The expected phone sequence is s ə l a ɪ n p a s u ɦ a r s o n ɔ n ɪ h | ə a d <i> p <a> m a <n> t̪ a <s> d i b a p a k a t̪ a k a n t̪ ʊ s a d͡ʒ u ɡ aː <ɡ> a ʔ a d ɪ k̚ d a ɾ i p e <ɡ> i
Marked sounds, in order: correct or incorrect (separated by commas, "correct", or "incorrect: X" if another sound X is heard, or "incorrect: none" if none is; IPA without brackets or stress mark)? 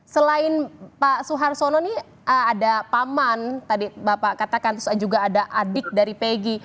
incorrect: a, correct, correct, incorrect: none, incorrect: d, correct